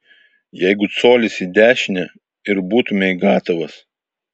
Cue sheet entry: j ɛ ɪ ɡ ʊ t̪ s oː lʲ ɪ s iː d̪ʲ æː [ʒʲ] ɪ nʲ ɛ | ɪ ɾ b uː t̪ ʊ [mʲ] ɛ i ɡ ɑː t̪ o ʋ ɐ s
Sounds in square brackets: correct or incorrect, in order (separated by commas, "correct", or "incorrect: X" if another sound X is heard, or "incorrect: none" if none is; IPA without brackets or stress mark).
incorrect: ʃʲ, correct